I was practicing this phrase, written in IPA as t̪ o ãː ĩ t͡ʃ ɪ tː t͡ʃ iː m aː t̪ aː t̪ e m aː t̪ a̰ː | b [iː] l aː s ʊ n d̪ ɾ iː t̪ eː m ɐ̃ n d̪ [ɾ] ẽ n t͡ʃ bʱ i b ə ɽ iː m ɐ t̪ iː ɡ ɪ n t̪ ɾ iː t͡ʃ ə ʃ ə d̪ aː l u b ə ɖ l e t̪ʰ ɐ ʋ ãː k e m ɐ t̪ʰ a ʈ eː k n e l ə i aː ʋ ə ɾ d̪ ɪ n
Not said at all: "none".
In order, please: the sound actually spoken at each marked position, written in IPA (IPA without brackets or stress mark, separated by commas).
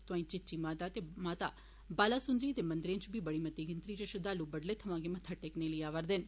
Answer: aː, ɾ